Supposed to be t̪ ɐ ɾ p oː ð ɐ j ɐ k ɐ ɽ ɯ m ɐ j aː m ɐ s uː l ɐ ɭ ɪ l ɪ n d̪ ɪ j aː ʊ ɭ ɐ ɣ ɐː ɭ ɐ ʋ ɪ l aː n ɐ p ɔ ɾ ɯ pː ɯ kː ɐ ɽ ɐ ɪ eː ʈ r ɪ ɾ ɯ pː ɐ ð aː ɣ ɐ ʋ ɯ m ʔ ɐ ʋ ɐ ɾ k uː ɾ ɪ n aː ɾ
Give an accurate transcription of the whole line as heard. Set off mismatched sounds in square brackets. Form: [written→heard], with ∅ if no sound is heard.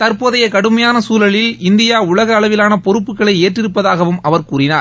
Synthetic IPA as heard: t̪ ɐ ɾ p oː ð ɐ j ɐ k ɐ ɽ ɯ m ɐ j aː [m→n] ɐ s uː l ɐ ɭ ɪ l ɪ n d̪ ɪ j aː ʊ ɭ ɐ ɣ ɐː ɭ ɐ ʋ ɪ l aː n ɐ p ɔ ɾ ɯ pː ɯ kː ɐ [ɽ→ɭ] ɐ ɪ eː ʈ r ɪ ɾ ɯ pː ɐ ð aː ɣ ɐ ʋ ɯ m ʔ ɐ ʋ ɐ ɾ k uː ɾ ɪ n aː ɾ